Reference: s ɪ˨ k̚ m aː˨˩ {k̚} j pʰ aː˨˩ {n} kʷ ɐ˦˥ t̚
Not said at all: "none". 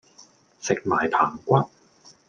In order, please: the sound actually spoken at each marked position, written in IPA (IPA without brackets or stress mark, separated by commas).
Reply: none, ŋ